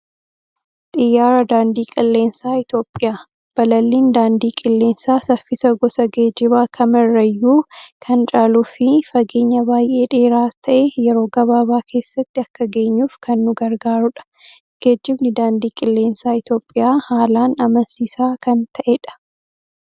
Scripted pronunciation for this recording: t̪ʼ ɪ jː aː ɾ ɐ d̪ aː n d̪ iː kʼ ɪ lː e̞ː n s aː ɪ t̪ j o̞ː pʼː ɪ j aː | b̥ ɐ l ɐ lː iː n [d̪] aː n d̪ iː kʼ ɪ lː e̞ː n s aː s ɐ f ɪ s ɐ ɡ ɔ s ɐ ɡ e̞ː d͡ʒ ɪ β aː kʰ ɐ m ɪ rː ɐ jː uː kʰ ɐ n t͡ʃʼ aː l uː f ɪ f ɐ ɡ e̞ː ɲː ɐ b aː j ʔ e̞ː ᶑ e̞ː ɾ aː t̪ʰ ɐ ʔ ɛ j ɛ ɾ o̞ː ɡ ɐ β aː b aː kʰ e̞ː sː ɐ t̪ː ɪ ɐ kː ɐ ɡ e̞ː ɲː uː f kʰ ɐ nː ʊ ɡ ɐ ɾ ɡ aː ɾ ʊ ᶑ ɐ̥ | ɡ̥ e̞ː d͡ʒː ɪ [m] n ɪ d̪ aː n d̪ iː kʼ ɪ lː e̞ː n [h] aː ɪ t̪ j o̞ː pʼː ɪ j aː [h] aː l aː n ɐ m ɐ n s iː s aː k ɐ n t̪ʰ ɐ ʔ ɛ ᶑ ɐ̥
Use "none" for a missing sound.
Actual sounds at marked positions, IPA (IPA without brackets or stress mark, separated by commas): d̪, b, s, h